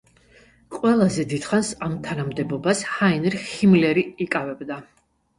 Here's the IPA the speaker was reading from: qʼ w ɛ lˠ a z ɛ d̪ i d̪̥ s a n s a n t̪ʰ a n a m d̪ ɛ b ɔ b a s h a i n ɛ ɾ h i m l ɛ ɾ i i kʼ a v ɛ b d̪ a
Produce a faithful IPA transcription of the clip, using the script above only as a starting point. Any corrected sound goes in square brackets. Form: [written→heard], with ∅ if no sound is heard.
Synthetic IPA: qʼ w ɛ lˠ a z ɛ d̪ i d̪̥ [s→χ] a n s a [n→m] t̪ʰ a n a m d̪ ɛ b ɔ b a s h a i n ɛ ɾ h i m l ɛ ɾ i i kʼ a v ɛ b d̪ a